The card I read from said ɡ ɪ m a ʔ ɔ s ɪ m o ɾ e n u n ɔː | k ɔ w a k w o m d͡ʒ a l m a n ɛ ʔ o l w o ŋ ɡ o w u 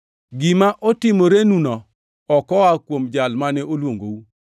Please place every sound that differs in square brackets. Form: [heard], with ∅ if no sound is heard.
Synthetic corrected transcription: ɡ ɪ m a ʔ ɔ [t] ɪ m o ɾ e n u n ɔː | k ɔ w a k w o m d͡ʒ a l m a n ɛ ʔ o l w o ŋ ɡ o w u